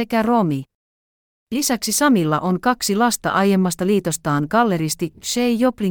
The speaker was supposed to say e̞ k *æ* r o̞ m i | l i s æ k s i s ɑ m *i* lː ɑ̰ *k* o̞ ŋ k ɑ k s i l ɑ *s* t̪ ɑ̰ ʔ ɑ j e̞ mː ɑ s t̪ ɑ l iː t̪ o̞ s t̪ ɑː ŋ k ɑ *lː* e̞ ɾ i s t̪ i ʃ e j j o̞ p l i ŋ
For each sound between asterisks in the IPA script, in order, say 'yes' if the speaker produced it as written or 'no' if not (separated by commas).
yes, yes, no, yes, yes